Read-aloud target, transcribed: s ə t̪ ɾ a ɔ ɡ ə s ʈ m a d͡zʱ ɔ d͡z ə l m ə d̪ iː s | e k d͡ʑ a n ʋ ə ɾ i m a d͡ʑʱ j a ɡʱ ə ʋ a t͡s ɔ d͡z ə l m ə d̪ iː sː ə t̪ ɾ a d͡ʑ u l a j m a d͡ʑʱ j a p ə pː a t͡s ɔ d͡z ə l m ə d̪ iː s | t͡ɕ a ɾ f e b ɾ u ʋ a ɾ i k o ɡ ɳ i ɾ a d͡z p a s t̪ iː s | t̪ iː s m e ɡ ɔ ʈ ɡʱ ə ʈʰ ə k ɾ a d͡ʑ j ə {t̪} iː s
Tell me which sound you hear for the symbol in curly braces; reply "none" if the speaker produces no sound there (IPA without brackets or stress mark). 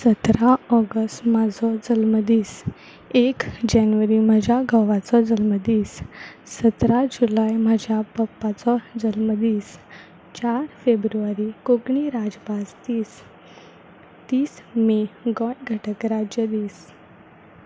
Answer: d̪